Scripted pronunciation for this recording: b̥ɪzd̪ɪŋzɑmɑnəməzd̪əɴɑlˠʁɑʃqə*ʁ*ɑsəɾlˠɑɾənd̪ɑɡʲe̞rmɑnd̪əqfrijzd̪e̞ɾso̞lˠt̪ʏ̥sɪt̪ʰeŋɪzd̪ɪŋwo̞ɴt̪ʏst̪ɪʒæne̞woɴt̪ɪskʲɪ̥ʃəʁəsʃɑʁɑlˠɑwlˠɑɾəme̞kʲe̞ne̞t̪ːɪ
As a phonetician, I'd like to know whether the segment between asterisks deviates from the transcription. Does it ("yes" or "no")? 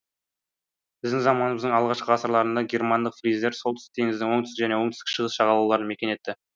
no